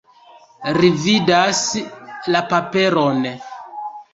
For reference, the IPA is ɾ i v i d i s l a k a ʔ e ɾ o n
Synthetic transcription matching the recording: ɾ i v i d a s l a p a p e ɾ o n